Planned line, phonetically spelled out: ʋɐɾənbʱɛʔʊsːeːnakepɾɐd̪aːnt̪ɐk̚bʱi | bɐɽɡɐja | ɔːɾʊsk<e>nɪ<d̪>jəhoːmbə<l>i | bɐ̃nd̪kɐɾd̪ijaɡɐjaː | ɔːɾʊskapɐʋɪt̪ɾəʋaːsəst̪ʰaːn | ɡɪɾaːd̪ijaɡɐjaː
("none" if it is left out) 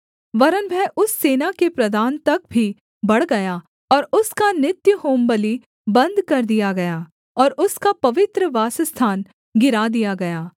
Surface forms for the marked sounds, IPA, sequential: a, t̪, l

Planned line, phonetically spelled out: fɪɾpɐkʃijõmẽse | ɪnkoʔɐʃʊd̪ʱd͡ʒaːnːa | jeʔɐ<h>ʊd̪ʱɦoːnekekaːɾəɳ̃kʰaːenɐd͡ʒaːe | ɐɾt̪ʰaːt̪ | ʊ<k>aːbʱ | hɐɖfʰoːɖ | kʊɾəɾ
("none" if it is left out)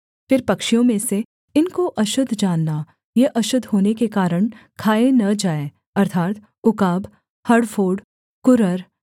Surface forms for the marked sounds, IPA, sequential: ʃ, k

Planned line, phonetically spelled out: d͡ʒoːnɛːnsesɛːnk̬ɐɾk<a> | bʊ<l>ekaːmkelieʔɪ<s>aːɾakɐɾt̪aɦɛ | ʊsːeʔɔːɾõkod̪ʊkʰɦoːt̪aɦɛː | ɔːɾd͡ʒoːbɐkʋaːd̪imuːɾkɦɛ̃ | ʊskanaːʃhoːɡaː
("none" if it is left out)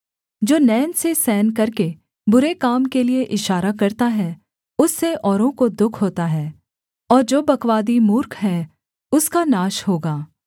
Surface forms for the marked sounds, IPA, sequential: e, ɾ, ʃ

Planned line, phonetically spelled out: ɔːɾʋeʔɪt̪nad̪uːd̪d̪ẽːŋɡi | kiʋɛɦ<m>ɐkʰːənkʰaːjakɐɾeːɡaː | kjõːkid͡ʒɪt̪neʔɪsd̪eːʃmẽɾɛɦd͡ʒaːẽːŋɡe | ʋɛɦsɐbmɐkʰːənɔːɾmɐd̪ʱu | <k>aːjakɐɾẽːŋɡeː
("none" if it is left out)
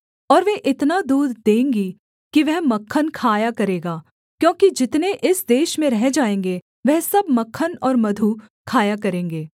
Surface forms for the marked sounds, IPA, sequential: m, kʰ

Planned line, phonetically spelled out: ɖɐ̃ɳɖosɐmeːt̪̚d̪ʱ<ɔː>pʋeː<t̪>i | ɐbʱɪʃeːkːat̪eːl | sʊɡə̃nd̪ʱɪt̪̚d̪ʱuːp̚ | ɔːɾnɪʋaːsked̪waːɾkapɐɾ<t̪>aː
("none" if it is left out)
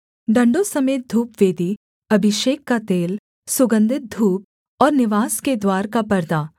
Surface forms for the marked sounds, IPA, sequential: uː, d̪, d̪

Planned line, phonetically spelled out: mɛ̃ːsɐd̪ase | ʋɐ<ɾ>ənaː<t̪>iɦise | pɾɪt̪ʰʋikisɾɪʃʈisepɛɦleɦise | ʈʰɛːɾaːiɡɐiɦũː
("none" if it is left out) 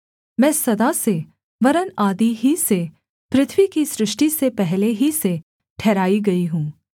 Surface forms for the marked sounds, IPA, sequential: ɾ, d̪

